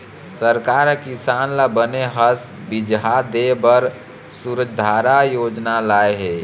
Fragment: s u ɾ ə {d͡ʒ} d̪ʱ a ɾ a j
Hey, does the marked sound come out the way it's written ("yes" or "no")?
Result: yes